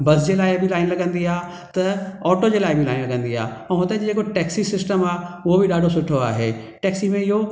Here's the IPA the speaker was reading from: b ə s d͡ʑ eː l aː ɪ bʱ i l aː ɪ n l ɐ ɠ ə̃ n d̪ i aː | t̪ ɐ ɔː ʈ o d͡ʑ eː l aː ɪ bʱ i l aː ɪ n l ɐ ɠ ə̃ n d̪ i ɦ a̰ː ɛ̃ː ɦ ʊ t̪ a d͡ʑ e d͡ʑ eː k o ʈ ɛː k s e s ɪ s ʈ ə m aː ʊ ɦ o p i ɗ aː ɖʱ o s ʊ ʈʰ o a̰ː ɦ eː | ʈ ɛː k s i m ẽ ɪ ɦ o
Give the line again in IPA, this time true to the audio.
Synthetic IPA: b ɐ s d͡ʑ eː l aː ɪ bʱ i l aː ɪ n l ɐ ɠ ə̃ n d̪ i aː | t̪ ɐ ɔː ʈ o d͡ʑ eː l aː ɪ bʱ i l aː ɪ n l ɐ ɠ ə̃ n d̪ i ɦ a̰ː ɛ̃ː ɦ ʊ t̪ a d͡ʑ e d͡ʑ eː k o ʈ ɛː k s i s ɪ s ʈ ə m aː ʊ ɦ o b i ɗ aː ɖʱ o s ʊ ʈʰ o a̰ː ɦ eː | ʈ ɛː k s i m ẽ ɪ ɦ o